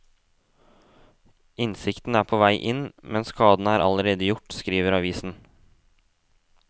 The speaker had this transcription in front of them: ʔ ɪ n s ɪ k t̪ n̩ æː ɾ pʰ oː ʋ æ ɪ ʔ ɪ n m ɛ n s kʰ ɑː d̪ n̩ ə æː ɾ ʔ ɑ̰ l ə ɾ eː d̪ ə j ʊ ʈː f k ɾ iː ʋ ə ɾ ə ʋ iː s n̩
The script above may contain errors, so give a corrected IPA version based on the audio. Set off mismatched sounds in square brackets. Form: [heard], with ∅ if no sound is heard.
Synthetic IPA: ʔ ɪ n s ɪ k t̪ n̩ æː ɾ pʰ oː ʋ æ ɪ ʔ ɪ n m ɛ n s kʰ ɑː d̪ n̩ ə æː ɾ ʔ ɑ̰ l ə ɾ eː d̪ ə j ʊ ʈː [s] k ɾ iː ʋ ə ɾ [ɑ] ʋ iː s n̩